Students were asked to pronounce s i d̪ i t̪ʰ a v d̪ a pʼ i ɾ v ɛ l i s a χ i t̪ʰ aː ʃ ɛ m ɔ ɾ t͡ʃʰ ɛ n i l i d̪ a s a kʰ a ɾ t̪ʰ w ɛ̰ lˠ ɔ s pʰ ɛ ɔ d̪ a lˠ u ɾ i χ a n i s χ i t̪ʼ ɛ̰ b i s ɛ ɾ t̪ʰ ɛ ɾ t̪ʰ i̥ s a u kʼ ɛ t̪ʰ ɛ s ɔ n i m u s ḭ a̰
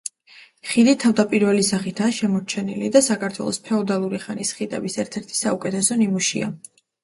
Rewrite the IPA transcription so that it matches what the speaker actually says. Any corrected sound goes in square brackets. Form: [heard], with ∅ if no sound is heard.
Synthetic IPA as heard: [χ] i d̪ i t̪ʰ a v d̪ a pʼ i ɾ v ɛ l i s a χ i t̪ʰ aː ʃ ɛ m ɔ ɾ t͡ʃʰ ɛ n i l i d̪ a s a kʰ a ɾ t̪ʰ w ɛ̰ lˠ ɔ s pʰ ɛ ɔ d̪ a lˠ u ɾ i χ a n i s χ i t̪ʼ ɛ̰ b i s ɛ ɾ t̪ʰ ɛ ɾ t̪ʰ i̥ s a u kʼ ɛ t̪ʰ ɛ s ɔ n i m u [ʃ] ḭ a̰